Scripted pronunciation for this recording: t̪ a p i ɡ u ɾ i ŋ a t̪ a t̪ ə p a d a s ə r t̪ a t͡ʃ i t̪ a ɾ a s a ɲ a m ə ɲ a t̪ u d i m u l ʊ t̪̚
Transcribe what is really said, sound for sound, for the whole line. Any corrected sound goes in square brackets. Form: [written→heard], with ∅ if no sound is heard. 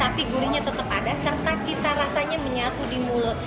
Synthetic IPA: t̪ a p i ɡ u ɾ i [ŋ→ɲ] a t̪ [a→ə] t̪ ə p a d a s ə r t̪ a t͡ʃ i t̪ a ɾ a s a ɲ a m ə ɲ a t̪ u d i m u l ʊ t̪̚